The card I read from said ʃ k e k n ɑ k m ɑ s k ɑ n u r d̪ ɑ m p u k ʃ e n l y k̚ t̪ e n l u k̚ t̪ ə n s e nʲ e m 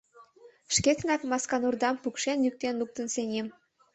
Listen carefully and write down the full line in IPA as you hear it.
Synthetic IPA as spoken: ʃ k e k n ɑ k m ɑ s k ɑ n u r d̪ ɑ m p u k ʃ e n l y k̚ t̪ e n l u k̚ t̪ ə n s e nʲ e m